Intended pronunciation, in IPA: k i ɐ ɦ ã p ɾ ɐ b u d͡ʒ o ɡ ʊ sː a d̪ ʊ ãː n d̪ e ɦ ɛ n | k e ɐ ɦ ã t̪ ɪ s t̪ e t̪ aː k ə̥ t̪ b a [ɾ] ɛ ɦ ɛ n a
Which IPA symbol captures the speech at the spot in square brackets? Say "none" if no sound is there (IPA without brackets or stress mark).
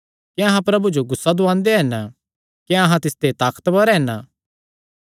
ɾ